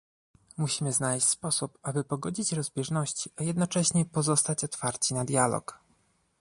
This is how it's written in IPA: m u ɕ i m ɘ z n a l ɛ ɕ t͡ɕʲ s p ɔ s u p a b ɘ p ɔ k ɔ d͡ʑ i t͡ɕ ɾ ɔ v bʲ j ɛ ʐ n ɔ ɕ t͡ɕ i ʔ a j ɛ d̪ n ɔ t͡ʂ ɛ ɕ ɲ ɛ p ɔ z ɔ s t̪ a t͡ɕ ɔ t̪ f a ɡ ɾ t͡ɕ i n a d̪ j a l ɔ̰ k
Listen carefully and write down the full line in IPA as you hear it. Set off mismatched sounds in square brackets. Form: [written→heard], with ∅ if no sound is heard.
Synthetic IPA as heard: m u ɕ i m ɘ z n a l ɛ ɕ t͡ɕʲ s p ɔ s u p a b ɘ p ɔ [k→ɡ] ɔ d͡ʑ i t͡ɕ ɾ ɔ [v→z] bʲ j ɛ ʐ n ɔ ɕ t͡ɕ i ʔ a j ɛ d̪ n ɔ t͡ʂ ɛ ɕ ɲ ɛ p ɔ z ɔ s t̪ a t͡ɕ ɔ t̪ f a [ɡ→∅] ɾ t͡ɕ i n a d̪ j a l ɔ̰ k